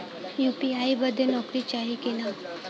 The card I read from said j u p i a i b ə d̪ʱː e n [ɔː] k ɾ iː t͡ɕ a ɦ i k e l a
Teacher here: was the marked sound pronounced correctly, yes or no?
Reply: no